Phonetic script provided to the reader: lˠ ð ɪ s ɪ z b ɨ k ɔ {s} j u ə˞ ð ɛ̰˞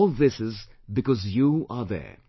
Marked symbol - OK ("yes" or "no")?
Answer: no